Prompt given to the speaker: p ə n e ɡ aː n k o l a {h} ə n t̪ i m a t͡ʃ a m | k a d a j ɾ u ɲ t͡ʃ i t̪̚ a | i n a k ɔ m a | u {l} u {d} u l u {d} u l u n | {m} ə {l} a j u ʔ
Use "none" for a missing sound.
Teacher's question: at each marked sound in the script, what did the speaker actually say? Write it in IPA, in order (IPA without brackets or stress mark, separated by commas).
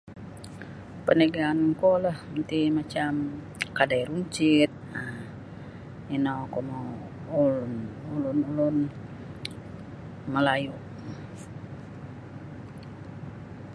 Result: h, l, n, n, m, l